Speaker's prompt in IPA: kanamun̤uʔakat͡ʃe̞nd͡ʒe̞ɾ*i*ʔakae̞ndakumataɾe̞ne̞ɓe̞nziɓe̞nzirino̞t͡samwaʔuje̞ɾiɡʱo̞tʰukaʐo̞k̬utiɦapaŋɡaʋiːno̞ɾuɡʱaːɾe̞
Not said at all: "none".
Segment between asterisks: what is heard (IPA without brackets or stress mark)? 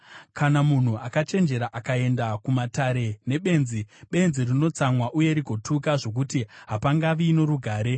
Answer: a